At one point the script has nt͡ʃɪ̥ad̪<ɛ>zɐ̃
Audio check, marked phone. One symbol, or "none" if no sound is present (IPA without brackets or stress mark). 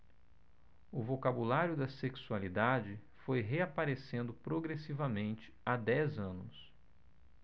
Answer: ɛ